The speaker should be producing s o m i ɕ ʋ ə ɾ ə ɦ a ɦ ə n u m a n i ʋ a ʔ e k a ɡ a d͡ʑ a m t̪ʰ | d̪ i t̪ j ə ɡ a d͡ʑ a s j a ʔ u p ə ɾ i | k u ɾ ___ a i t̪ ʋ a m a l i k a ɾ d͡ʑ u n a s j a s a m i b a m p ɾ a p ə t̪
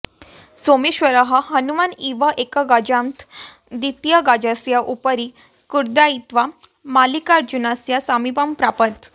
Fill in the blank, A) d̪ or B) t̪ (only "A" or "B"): A